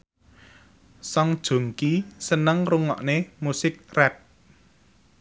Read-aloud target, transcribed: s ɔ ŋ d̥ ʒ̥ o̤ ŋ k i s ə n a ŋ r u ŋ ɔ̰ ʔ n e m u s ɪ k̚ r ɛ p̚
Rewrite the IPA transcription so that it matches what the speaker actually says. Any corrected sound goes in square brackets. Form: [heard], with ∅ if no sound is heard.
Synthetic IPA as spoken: s ɔ ŋ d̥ ʒ̥ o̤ ŋ k i s ə n [ə] ŋ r u ŋ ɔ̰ ʔ n e m u s ɪ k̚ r ɛ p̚